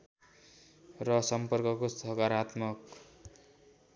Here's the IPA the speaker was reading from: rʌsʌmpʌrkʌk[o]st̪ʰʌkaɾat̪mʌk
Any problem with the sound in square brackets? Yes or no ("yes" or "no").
no